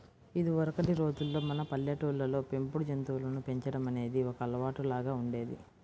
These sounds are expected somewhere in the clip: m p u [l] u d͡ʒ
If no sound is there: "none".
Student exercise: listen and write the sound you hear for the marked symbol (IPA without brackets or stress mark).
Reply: ɽ